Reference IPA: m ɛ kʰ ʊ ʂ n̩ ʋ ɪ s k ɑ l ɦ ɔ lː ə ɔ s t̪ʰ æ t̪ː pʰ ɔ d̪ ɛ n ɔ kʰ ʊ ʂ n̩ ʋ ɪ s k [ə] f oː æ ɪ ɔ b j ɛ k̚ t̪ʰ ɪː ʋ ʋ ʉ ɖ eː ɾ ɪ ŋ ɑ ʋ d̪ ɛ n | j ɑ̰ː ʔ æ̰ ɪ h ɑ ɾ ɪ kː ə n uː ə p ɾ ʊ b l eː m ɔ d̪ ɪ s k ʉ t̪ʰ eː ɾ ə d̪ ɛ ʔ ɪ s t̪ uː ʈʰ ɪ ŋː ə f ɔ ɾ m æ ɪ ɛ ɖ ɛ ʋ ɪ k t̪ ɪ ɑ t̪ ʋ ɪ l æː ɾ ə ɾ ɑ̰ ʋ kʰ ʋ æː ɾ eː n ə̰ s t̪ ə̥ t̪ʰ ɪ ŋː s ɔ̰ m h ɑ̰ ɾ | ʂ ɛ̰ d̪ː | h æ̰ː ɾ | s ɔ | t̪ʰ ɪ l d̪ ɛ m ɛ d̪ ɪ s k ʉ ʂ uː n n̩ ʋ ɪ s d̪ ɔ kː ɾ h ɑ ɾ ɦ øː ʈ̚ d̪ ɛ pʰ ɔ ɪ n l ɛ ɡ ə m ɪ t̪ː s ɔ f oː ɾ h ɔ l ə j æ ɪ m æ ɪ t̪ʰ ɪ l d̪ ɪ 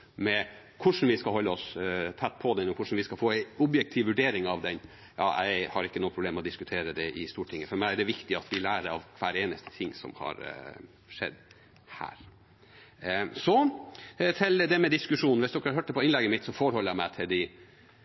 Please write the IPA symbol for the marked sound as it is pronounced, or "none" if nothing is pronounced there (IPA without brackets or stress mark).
ɑ